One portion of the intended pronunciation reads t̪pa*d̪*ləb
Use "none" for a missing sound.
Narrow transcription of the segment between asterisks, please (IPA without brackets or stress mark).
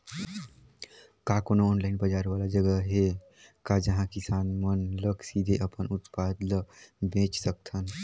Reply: d̪